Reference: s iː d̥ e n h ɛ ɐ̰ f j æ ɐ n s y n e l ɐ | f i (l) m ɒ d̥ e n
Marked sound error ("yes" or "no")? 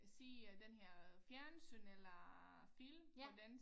no